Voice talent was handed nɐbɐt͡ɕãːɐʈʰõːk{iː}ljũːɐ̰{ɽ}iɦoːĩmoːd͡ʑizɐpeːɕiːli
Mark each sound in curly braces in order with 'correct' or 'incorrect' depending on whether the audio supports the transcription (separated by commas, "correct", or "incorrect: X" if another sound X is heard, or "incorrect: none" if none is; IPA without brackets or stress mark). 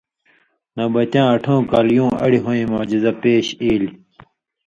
incorrect: aː, correct